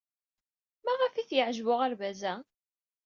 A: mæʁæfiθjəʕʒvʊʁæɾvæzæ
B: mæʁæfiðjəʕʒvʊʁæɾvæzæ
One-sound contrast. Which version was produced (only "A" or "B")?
A